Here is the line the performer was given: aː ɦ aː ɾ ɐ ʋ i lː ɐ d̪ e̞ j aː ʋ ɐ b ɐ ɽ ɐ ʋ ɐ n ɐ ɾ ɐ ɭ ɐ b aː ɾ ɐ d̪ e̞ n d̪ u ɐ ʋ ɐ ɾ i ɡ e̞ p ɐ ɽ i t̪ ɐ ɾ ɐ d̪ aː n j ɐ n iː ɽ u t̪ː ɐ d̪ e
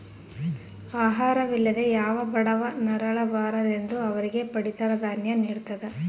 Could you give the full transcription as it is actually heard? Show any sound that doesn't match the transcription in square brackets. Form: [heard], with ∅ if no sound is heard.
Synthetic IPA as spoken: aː ɦ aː ɾ ɐ ʋ i lː ɐ d̪ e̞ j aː ʋ ɐ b ɐ ɽ ɐ ʋ ɐ n ɐ ɾ ɐ ɭ ɐ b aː ɾ ɐ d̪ e̞ n d̪ u ɐ ʋ ɐ ɾ i ɡ e̞ p ɐ ɽ i t̪ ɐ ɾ ɐ d̪ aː n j ɐ n iː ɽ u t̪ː ɐ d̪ e